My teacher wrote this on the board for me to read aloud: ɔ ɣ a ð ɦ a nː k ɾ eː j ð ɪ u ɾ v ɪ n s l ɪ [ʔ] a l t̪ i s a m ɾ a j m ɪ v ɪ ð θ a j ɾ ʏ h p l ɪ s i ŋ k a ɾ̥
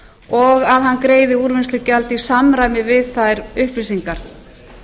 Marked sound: incorrect: c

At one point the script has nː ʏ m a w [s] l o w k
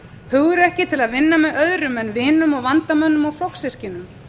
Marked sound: incorrect: f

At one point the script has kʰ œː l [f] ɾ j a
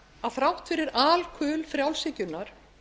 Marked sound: correct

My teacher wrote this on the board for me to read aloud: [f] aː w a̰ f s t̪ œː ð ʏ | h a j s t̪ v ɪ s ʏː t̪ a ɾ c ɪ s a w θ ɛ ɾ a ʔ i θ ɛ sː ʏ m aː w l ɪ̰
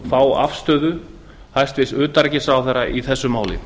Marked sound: correct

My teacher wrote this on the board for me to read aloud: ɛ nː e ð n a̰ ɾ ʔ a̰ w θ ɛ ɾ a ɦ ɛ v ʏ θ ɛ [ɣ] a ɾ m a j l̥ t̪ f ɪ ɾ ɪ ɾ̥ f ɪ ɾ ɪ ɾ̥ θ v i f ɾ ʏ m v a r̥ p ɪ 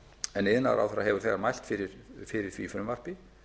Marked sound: correct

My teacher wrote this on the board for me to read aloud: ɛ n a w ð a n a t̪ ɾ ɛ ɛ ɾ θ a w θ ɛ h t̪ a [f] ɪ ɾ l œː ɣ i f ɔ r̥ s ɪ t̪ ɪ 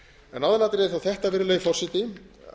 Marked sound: incorrect: v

